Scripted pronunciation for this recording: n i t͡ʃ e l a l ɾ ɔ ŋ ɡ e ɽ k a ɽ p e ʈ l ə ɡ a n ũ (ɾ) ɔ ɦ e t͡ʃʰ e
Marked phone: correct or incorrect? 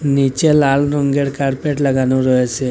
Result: correct